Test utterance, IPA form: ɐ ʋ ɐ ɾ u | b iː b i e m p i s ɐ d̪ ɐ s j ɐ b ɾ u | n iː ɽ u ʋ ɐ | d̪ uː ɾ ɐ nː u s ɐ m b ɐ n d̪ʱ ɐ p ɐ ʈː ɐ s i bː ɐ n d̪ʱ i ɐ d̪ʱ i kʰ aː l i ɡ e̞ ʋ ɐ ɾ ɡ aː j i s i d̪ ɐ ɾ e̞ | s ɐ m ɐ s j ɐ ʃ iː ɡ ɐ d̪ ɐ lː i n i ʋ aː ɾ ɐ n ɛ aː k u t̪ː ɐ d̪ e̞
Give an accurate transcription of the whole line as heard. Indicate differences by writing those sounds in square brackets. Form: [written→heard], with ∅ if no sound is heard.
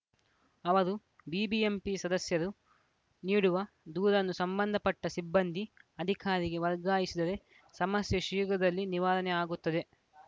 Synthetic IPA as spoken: ɐ ʋ ɐ ɾ u | b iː b i e m p i s ɐ d̪ ɐ s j ɐ [b→∅] ɾ u | n iː ɽ u ʋ ɐ | d̪ uː ɾ ɐ nː u s ɐ m b ɐ n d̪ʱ ɐ p ɐ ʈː ɐ s i bː ɐ n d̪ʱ i ɐ d̪ʱ i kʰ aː [l→ɾ] i ɡ e̞ ʋ ɐ ɾ ɡ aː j i s i d̪ ɐ ɾ e̞ | s ɐ m ɐ s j ɐ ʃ iː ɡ ɐ d̪ ɐ lː i n i ʋ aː ɾ ɐ n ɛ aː [k→ɡ] u t̪ː ɐ d̪ e̞